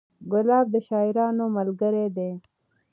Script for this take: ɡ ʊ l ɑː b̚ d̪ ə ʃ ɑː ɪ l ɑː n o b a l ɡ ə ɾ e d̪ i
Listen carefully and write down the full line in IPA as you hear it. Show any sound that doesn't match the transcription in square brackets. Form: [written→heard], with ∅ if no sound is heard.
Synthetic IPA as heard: ɡ ʊ l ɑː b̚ d̪ ə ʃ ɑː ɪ [l→ɾ] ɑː n o [b→m] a l ɡ ə ɾ e d̪ [i→e]